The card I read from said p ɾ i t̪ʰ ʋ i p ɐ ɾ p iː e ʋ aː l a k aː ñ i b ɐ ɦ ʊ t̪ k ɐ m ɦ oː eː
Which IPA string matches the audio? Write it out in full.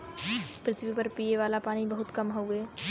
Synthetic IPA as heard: p ɾ ɪ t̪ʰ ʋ i p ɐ ɾ p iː e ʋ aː l a p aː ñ i b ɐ ɦ ʊ t̪ k ɐ m ɦ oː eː